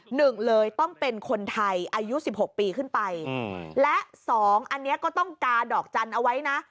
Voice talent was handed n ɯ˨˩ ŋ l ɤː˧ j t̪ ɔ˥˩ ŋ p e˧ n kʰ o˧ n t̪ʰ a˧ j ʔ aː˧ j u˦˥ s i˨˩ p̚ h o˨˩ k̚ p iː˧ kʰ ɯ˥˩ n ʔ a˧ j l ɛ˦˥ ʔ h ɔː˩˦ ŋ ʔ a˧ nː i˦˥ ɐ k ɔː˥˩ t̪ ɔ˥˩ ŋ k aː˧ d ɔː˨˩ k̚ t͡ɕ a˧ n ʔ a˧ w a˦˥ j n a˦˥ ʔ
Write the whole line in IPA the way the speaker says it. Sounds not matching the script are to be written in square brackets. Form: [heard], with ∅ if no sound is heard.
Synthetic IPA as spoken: n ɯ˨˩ ŋ l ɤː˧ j t̪ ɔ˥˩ ŋ p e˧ n kʰ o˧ n t̪ʰ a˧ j ʔ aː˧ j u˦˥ s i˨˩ p̚ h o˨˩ k̚ p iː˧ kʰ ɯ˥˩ n [p] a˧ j l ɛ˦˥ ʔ [s] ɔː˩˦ ŋ ʔ a˧ nː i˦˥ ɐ k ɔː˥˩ t̪ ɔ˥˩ ŋ k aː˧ d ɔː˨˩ k̚ t͡ɕ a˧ n ʔ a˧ w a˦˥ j n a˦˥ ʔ